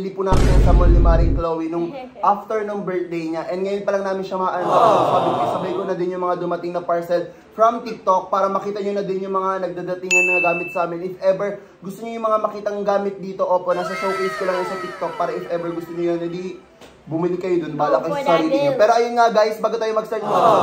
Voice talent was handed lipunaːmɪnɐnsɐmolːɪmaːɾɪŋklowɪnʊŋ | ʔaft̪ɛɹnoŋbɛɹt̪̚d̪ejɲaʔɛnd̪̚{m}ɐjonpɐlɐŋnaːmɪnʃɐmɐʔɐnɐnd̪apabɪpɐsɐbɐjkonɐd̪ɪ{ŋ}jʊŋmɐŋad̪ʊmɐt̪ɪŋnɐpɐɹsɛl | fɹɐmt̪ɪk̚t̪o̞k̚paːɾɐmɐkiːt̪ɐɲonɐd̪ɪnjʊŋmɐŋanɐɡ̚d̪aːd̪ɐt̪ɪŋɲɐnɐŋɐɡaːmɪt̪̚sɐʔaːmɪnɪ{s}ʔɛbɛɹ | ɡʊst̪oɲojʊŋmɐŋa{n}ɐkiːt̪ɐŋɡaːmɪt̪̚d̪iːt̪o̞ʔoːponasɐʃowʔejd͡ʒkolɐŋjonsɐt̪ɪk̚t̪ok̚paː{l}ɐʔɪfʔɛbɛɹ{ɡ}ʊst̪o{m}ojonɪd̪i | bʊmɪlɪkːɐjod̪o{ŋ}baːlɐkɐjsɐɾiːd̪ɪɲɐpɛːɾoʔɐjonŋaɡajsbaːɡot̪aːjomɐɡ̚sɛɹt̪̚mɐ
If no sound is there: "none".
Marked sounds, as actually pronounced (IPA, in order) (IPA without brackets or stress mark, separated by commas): ŋ, n, f, m, ɾ, ɡ, ɲ, n